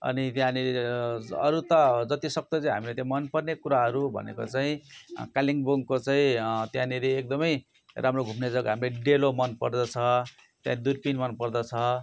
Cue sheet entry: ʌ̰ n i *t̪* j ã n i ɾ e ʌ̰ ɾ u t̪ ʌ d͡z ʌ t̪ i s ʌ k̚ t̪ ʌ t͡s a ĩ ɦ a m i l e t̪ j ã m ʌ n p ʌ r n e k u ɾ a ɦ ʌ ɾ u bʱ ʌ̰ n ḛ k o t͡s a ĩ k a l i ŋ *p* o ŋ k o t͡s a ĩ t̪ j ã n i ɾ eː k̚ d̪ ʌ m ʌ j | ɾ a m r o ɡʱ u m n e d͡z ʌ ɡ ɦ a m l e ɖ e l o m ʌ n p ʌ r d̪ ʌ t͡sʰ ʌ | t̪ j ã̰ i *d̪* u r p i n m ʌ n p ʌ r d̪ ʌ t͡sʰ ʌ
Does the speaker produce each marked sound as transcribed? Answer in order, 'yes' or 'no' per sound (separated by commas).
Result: yes, no, yes